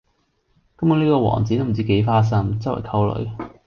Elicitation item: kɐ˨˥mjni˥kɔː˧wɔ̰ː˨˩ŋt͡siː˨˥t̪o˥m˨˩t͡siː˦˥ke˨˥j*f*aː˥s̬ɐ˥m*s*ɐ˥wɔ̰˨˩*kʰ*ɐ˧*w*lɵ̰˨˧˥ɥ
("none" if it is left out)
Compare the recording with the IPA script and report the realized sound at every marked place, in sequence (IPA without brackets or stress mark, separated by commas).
f, t͡s, kʰ, w